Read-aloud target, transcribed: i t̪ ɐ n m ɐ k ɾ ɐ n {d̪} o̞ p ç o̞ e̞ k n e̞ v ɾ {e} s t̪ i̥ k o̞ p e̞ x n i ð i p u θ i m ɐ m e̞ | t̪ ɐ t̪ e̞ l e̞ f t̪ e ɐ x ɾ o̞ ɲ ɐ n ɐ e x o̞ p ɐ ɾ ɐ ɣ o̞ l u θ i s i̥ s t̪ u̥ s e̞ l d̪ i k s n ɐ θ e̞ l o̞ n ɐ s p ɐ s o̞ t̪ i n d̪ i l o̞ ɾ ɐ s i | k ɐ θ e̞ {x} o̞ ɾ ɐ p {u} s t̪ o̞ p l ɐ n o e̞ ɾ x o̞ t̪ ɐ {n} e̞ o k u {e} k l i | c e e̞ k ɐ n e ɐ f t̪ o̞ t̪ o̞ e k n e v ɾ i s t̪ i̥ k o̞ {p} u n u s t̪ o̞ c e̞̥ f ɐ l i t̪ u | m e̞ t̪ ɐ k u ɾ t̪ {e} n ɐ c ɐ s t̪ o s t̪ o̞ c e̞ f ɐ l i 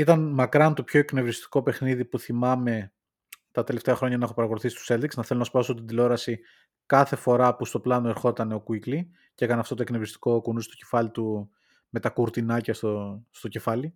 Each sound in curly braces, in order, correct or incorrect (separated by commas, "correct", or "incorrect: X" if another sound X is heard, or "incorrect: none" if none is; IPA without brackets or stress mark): incorrect: t̪, incorrect: i, incorrect: f, correct, correct, incorrect: i, incorrect: k, incorrect: i